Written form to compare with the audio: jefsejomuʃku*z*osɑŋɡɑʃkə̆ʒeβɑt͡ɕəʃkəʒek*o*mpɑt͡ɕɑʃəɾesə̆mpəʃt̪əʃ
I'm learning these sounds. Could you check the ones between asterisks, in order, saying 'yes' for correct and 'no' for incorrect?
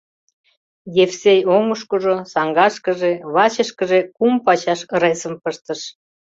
no, no

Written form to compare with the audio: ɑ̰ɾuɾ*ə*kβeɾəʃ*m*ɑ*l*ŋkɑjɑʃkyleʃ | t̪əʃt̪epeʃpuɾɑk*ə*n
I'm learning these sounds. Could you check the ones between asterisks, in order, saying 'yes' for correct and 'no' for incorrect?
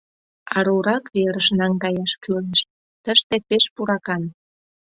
no, no, no, no

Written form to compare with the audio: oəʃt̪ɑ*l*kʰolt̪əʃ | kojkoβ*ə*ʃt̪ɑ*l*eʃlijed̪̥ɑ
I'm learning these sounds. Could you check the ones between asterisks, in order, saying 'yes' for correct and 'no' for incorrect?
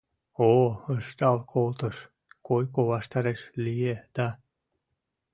yes, no, no

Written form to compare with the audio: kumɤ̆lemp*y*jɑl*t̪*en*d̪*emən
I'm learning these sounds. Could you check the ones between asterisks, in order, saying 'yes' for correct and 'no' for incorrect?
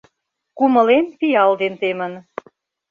no, no, no

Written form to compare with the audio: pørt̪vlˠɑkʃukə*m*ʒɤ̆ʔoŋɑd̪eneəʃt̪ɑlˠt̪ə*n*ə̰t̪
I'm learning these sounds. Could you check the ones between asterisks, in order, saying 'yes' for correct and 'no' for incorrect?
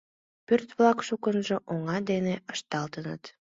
no, yes

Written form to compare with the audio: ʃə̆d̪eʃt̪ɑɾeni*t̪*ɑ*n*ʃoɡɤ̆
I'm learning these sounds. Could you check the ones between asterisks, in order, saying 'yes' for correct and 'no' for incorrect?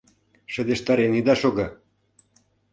no, no

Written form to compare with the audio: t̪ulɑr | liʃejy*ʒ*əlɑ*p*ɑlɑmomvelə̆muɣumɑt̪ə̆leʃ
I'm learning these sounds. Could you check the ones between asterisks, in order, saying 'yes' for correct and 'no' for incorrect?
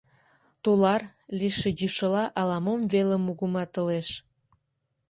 no, no

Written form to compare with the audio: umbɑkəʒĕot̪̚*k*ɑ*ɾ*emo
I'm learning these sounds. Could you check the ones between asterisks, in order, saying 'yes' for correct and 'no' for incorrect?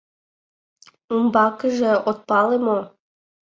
no, no

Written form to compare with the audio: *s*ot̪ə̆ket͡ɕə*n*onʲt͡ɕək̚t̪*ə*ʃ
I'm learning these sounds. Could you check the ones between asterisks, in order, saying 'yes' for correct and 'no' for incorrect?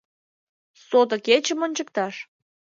yes, no, no

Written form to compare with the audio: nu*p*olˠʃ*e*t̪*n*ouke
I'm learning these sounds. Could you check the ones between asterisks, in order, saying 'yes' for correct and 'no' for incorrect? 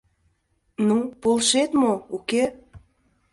yes, yes, no

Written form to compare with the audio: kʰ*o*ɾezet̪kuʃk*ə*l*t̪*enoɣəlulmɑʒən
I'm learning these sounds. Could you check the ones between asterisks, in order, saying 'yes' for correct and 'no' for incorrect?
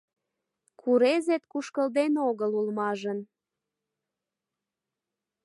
no, yes, no

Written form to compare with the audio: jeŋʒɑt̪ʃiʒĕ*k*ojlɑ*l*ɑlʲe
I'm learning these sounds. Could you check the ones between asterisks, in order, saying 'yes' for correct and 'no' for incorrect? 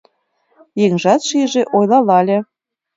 no, yes

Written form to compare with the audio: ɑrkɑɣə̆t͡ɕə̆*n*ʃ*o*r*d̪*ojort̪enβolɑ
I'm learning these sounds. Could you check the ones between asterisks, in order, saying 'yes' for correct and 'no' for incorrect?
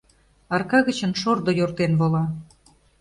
yes, yes, yes

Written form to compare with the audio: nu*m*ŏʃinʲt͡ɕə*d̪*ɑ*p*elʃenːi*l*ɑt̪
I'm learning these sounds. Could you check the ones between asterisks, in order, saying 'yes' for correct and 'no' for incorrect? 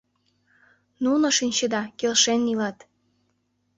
no, yes, no, yes

